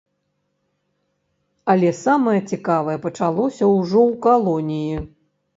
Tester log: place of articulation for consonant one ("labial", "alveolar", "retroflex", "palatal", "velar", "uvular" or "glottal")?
alveolar